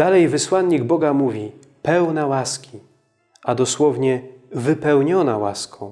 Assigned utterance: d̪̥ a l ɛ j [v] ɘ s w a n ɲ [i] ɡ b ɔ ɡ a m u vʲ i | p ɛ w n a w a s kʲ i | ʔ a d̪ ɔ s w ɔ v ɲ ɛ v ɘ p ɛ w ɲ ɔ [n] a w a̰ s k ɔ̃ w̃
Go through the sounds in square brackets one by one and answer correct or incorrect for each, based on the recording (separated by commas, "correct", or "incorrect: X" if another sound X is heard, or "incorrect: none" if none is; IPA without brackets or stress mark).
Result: correct, correct, correct